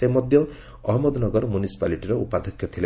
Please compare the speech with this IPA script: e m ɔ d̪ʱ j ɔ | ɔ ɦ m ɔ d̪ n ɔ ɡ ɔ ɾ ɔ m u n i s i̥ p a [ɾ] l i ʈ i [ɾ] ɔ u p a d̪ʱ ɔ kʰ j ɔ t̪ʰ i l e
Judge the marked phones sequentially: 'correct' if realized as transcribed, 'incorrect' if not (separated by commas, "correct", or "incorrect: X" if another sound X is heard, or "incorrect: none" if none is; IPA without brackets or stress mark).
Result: incorrect: none, correct